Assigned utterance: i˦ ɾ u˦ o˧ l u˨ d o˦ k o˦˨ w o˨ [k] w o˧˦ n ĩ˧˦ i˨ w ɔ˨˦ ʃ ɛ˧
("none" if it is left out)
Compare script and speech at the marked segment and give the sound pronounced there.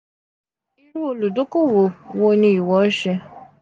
none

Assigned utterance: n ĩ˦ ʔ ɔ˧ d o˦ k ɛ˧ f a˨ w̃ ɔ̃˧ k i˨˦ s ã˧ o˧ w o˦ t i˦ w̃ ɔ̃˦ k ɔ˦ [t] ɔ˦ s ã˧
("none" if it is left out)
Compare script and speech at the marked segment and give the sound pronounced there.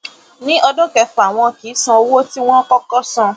k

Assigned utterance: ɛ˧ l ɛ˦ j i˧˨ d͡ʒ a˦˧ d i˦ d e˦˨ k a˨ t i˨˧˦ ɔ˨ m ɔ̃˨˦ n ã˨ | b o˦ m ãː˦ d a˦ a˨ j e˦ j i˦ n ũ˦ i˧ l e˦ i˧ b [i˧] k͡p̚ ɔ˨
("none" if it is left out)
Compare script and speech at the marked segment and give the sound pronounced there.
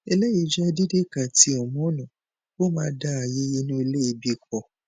i˧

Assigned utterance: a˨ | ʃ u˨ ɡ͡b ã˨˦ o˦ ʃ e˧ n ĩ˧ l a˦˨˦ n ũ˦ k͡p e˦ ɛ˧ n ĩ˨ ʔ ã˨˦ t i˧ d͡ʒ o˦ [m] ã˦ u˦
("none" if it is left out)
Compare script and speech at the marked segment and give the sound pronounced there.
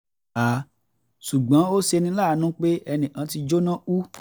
n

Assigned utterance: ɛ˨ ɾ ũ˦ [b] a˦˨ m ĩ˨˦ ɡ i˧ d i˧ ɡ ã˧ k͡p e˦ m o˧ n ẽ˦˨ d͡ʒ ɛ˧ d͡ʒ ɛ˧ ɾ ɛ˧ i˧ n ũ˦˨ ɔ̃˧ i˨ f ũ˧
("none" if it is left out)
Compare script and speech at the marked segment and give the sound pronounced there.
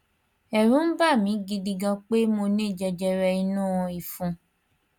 b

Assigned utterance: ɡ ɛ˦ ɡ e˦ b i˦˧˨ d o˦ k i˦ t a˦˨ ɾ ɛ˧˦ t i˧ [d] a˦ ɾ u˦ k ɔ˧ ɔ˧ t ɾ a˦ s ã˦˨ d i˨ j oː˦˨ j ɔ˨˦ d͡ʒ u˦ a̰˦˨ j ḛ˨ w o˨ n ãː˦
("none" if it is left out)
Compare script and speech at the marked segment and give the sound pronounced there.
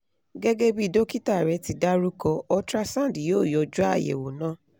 d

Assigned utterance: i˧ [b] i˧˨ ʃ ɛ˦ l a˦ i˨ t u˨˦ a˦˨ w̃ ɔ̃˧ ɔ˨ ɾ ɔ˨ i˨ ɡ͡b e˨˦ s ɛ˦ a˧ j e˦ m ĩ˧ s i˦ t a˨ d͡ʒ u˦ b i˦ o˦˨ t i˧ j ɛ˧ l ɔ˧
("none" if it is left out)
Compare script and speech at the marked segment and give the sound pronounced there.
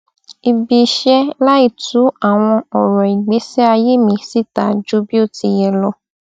b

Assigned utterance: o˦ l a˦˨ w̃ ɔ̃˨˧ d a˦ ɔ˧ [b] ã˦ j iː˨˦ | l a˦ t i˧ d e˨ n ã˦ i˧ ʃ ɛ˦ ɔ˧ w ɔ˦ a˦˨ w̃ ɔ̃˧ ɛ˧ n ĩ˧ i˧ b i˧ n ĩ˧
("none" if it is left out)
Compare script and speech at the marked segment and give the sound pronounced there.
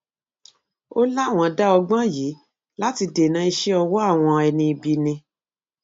ɡ͡b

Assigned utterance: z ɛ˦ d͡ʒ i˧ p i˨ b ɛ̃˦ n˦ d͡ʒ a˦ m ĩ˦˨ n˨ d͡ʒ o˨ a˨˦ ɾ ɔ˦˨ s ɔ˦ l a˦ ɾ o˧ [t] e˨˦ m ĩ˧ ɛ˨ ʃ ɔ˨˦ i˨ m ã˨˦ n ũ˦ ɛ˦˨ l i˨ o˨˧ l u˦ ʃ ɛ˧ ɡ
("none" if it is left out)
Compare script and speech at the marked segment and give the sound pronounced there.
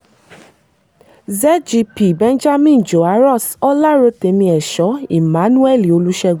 t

